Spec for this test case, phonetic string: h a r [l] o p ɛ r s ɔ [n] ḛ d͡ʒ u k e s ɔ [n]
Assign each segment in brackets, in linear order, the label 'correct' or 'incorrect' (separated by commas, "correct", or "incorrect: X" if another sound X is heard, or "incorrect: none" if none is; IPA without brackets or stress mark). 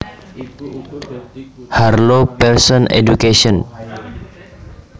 correct, correct, correct